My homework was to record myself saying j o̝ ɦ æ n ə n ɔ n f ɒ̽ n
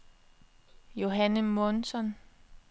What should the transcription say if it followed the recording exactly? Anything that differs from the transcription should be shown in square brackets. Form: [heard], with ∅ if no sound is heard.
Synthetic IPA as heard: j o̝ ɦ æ n ə [m] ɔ n [s] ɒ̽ n